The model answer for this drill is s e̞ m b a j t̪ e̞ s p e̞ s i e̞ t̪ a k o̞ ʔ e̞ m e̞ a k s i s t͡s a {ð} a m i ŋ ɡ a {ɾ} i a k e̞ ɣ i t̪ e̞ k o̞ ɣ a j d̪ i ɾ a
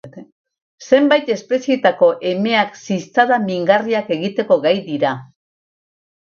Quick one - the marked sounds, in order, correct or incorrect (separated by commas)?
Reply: correct, incorrect